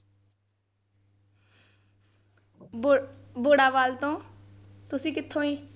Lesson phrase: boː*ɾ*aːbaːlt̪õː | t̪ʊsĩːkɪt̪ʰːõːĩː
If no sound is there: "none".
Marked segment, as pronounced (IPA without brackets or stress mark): ɽ